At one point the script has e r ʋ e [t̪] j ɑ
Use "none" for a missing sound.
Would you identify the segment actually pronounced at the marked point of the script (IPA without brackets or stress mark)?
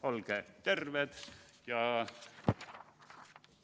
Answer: t̪